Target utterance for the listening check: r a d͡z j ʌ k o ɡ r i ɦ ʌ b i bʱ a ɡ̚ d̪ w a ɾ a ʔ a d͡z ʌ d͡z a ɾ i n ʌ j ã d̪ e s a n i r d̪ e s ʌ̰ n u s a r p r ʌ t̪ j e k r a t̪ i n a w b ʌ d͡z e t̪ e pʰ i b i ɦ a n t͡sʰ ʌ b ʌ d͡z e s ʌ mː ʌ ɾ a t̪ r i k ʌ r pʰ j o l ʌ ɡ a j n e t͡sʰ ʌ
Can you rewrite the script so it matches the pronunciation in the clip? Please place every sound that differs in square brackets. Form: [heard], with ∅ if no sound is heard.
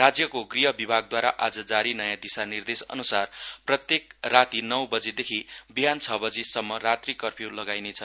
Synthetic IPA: r a d͡z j ʌ k o ɡ r i ɦ ʌ b i bʱ a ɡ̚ d̪ w a ɾ a ʔ a d͡z ʌ d͡z a ɾ i n ʌ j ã d̪ [i] s a n i r d̪ e s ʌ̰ n u s a r p r ʌ t̪ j e k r a t̪ i n [ʌ] w b ʌ d͡z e [d̪] e [kʰ] i b i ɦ a n t͡sʰ ʌ b ʌ d͡z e s ʌ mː ʌ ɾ a t̪ r i k ʌ r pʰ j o l ʌ ɡ a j n e t͡sʰ ʌ